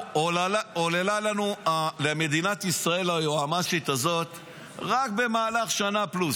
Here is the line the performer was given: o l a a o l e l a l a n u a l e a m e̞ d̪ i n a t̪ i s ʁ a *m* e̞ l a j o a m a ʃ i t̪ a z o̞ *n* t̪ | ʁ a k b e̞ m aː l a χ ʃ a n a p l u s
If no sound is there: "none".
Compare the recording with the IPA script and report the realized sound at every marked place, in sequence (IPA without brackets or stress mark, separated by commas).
none, none